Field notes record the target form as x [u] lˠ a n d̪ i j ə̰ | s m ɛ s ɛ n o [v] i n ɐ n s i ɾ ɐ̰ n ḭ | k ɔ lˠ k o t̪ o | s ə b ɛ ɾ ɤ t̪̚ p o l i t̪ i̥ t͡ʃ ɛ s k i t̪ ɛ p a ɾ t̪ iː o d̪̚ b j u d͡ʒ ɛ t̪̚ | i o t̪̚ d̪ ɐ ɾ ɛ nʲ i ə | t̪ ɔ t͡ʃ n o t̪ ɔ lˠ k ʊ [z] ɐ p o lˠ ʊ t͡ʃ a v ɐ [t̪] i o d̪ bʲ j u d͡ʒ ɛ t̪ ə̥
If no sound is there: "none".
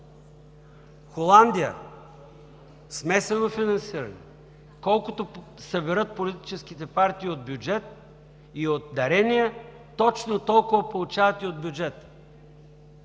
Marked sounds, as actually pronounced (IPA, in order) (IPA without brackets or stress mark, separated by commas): o, f, v, t̪